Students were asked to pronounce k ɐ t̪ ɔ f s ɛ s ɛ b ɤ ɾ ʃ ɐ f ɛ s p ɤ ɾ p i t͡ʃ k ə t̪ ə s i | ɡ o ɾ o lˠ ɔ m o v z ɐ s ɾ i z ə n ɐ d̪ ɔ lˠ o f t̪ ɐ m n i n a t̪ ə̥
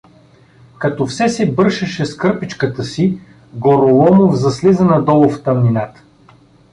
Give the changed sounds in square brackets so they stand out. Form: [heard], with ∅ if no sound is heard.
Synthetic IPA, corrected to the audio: k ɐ t̪ ɔ f s ɛ s ɛ b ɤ ɾ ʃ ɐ [ʃ] ɛ s [k] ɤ ɾ p i t͡ʃ k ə t̪ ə s i | ɡ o ɾ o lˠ ɔ m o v z ɐ s [l] i z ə n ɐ d̪ ɔ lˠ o f t̪ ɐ m n i n a t̪ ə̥